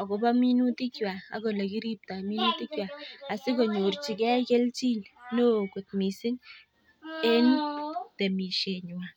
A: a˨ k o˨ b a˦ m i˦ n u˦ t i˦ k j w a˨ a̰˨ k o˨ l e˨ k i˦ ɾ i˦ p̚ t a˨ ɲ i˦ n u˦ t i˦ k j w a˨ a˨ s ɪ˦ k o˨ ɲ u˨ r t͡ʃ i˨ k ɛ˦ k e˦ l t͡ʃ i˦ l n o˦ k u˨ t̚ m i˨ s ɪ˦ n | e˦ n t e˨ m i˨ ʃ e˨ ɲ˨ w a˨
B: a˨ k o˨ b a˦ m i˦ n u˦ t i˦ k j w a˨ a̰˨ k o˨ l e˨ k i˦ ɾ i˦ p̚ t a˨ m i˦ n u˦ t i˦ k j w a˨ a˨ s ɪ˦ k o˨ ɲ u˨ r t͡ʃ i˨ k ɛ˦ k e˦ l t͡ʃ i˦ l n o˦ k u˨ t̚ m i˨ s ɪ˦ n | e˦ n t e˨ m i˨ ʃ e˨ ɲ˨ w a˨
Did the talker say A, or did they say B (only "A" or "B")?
B